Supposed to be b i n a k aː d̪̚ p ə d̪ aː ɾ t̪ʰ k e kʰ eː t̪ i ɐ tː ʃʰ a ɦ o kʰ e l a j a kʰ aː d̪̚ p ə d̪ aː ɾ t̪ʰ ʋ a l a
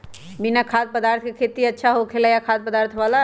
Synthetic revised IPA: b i n a kʰ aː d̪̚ p ə d̪ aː ɾ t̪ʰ k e kʰ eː t̪ i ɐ tː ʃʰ a ɦ o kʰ e l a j a kʰ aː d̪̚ p ə d̪ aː ɾ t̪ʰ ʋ a l a